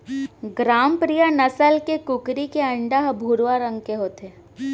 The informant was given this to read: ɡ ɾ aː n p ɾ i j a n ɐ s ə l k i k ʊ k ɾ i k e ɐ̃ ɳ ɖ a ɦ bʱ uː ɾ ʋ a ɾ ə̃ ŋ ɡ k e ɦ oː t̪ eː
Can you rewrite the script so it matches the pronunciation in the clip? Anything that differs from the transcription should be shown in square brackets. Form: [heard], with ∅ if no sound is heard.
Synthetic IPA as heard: ɡ ɾ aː [m] p ɾ i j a n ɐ s ə l k [e] k ʊ k ɾ i k e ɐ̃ ɳ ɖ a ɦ bʱ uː ɾ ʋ a ɾ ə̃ ŋ ɡ k e ɦ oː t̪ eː